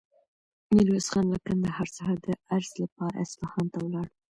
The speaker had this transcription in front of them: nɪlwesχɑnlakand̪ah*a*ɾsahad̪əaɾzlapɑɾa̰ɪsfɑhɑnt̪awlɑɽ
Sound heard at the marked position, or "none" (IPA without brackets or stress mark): ɑ